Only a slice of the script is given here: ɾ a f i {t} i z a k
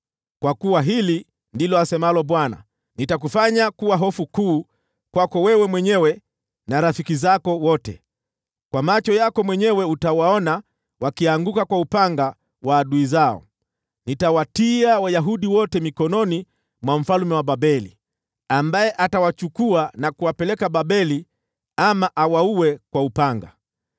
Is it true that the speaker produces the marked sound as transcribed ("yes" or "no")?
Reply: no